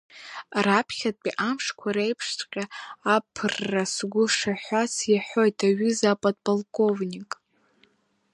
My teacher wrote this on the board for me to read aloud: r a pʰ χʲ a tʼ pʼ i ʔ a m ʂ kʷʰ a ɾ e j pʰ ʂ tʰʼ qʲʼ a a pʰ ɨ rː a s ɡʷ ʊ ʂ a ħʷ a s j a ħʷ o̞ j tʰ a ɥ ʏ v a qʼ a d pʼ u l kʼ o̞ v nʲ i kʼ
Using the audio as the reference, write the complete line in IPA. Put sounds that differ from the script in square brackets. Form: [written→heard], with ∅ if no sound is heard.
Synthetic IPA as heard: r a pʰ χʲ a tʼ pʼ i ʔ a m ʂ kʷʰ a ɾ e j pʰ ʂ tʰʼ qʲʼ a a pʰ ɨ rː a s ɡʷ ʊ ʂ a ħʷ a s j a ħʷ o̞ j tʰ a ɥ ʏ [v→z] a [qʼ→pʼ] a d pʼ [u→o] l kʼ o̞ v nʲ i kʼ